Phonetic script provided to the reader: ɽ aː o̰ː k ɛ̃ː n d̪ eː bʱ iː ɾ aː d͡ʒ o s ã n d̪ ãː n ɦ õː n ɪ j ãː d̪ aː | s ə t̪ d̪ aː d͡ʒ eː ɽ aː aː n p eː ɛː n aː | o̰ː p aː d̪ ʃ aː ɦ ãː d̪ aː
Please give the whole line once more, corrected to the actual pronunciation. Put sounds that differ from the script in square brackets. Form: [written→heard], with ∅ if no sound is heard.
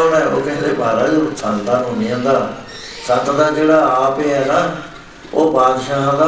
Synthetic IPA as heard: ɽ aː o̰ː k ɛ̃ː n d̪ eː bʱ [iː→aː] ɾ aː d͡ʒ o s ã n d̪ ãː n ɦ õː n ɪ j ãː d̪ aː | s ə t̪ d̪ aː d͡ʒ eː ɽ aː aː [n→∅] p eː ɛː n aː | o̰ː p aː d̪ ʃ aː ɦ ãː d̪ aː